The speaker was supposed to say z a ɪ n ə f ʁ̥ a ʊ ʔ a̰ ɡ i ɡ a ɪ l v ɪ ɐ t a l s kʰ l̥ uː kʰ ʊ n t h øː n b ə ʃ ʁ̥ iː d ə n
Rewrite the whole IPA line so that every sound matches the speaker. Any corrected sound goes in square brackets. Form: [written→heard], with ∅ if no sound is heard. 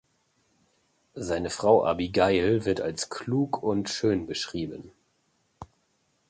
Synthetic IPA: z a ɪ n ə f ʁ̥ a ʊ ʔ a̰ [ɡ→b] i ɡ a ɪ l v ɪ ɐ t a l s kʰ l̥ uː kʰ ʊ n t [h→ʃ] øː n b ə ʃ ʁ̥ iː [d→b] ə n